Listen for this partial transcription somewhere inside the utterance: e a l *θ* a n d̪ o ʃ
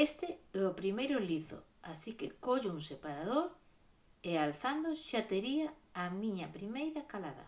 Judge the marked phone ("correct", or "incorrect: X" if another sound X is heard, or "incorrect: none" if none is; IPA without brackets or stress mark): correct